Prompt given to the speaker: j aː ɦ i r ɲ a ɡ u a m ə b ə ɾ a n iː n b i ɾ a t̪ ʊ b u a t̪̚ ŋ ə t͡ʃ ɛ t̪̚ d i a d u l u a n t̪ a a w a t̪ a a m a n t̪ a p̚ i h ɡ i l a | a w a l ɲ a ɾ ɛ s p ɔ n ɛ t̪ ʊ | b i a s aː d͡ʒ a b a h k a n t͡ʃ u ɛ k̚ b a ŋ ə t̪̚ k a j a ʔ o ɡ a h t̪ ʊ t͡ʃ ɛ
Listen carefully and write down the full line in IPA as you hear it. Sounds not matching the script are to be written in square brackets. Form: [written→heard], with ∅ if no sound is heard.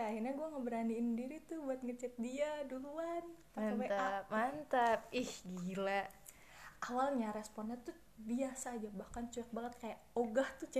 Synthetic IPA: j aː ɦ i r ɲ a ɡ u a [m→ŋ] ə b ə ɾ a n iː n [b→d] i ɾ [a→i] t̪ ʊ b u a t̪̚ ŋ ə t͡ʃ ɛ t̪̚ d i a d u l u a n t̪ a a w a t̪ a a m a n t̪ a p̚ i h ɡ i l a | a w a l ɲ a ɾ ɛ s p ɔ n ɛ t̪ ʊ | b i a s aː d͡ʒ a b a h k a n t͡ʃ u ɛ k̚ b a ŋ ə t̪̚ k a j a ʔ o ɡ a h t̪ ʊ t͡ʃ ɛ